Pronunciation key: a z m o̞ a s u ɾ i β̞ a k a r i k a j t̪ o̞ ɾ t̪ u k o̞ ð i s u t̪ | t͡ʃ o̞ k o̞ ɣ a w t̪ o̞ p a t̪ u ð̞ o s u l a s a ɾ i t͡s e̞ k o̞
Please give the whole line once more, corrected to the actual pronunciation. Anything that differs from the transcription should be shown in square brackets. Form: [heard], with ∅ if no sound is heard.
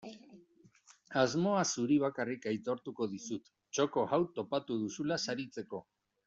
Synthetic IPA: a z m o̞ a s u ɾ i β̞ a k a r i k a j t̪ o̞ ɾ t̪ u k o̞ ð i s u t̪ | t͡ʃ o̞ k o̞ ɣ a w t̪ o̞ p a t̪ u ð̞ [u] s u l a s a ɾ i t͡s e̞ k o̞

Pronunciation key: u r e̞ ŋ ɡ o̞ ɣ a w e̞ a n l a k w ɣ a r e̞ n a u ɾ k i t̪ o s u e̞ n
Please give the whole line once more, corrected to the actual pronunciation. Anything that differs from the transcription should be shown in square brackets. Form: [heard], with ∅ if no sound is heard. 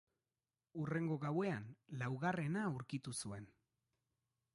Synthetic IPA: u r e̞ ŋ ɡ o̞ ɣ a w e̞ a n l a [∅] w ɣ a r e̞ n a u ɾ k i t̪ [u] s u e̞ n

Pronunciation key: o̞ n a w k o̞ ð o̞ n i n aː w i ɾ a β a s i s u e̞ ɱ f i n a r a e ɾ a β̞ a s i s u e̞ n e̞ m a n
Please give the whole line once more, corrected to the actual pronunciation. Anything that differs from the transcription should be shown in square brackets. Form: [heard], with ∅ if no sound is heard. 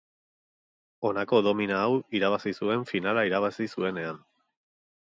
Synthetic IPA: o̞ n a [∅] k o̞ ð o̞ [m] i n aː w i ɾ a β a s i s u e̞ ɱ f i n a [l] a [i] ɾ a β̞ a s i s u e̞ n e̞ [∅] a n

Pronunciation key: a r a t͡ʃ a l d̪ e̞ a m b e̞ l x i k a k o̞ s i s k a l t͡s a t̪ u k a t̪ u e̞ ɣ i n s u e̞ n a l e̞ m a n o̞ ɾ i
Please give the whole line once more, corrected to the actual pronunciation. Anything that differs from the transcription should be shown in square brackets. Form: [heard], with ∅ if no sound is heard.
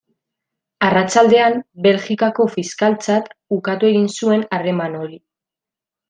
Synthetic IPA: a r a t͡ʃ a l d̪ e̞ a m b e̞ l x i k a k o̞ [f] i s k a l t͡s a t̪ u k a t̪ u e̞ ɣ i n s u e̞ n a [r] e̞ m a n o̞ ɾ i

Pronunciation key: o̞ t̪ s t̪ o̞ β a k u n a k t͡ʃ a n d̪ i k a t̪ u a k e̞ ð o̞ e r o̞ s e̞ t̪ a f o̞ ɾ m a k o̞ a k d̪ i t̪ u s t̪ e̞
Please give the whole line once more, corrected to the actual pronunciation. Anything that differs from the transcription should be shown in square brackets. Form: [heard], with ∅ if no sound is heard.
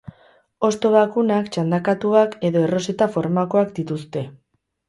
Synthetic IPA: o̞ [∅] s t̪ o̞ β a k u n a k t͡ʃ a n d̪ [a] k a t̪ u a k e̞ ð o̞ e r o̞ s e̞ t̪ a f o̞ ɾ m a k o̞ a k d̪ i t̪ u s t̪ e̞

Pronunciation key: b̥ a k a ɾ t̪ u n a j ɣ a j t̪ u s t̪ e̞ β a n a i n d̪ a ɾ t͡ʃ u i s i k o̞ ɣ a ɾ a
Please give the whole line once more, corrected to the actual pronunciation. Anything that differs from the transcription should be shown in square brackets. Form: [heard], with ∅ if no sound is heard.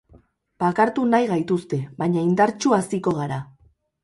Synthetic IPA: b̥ a k a ɾ t̪ u n a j ɣ a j t̪ u s t̪ e̞ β a [ɲ] a i n d̪ a ɾ t͡ʃ u [a] s i k o̞ ɣ a ɾ a

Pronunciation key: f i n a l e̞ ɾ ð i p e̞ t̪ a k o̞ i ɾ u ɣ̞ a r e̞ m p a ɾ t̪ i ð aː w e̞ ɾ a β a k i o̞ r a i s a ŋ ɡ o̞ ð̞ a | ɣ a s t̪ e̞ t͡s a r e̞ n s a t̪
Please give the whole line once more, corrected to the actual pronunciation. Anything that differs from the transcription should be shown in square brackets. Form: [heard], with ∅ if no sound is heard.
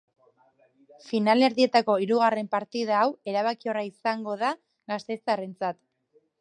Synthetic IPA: f i n a l e̞ ɾ ð i [∅] e̞ t̪ a k o̞ i ɾ u ɣ̞ a r e̞ m p a ɾ t̪ i ð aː w e̞ ɾ a β a k i o̞ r a i s a ŋ ɡ o̞ ð̞ a | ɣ a s t̪ e̞ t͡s a r e̞ n [t͡s] a t̪

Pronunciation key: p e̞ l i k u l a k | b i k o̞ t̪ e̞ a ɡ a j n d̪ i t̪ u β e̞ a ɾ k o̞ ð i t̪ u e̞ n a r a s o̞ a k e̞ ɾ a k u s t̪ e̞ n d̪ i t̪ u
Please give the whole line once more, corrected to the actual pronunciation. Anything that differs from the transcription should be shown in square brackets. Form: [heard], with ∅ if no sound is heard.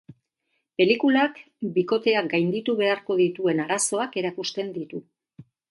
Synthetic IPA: p e̞ l i k u l a k | b i k o̞ t̪ e̞ a ɡ a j n d̪ i t̪ u β e̞ a ɾ k o̞ ð i t̪ u e̞ n a [ɾ] a s o̞ a k e̞ ɾ a k u s t̪ e̞ n d̪ i t̪ u

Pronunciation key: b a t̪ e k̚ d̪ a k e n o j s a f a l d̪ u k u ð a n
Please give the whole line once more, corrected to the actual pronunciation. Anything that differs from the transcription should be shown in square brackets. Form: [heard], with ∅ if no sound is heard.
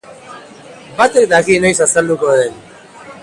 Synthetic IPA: b a t̪ e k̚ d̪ a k [i] n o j s a [s] a l d̪ u k [o] ð [e] n

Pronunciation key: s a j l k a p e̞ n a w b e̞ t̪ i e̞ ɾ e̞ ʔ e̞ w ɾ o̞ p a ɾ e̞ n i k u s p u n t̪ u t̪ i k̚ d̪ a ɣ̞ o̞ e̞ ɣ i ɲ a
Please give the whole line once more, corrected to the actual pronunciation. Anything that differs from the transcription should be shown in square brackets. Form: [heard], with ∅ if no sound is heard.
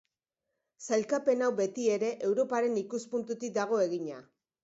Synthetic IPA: s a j l k a p e̞ n a w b e̞ t̪ i e̞ ɾ e̞ ʔ e̞ w ɾ o̞ p a ɾ e̞ n i k u s p u n t̪ u t̪ i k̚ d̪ a ɣ̞ o̞ e̞ ɣ i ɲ a

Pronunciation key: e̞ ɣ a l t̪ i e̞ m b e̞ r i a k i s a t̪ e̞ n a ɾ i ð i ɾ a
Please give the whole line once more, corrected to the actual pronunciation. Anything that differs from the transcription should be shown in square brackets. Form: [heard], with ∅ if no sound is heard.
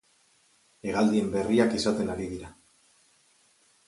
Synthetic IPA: e̞ ɣ a l [d̪] i e̞ m b e̞ r i a k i s a t̪ e̞ n a ɾ i ð i ɾ a

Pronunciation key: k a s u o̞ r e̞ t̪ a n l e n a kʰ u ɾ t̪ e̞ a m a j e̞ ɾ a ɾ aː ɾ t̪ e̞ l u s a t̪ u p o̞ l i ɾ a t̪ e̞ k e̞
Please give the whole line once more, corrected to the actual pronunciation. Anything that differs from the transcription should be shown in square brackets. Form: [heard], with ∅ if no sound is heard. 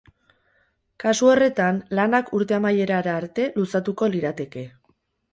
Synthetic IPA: k a s u o̞ r e̞ t̪ a n l [a] n a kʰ u ɾ t̪ e̞ a m a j e̞ ɾ a ɾ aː ɾ t̪ e̞ l u s a t̪ u [k] o̞ l i ɾ a t̪ e̞ k e̞

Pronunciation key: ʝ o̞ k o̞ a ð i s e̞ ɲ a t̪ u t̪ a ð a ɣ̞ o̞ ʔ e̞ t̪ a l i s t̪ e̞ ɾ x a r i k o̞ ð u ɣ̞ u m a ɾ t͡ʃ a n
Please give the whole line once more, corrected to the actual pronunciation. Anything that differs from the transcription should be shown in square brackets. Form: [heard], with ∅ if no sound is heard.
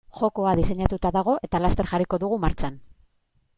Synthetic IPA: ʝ o̞ k o̞ a ð i s e̞ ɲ a t̪ u t̪ a ð a ɣ̞ o̞ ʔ e̞ t̪ a l [a] s t̪ e̞ ɾ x a r i k o̞ ð u ɣ̞ u m a ɾ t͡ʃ a n

